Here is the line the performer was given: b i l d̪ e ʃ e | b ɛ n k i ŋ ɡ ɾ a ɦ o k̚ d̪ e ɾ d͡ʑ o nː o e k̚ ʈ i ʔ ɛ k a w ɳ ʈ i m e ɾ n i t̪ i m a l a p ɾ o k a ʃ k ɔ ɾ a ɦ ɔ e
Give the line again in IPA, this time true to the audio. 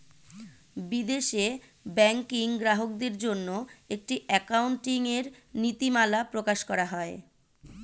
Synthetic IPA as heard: b i d̪ e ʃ e | b ɛ ŋ k i ŋ ɡ ɾ a ɦ o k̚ d̪ e ɾ d͡ʑ o nː o e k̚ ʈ i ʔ ɛ k a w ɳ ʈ i ŋ e ɾ n i t̪ i m a l a p ɾ o k a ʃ k ɔ ɾ a ɦ ɔ e